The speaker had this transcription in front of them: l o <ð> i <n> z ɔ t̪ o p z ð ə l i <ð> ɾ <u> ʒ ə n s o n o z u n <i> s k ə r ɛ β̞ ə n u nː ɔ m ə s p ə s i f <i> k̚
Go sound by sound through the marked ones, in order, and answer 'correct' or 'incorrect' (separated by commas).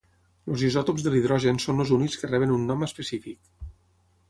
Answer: incorrect, incorrect, correct, incorrect, correct, correct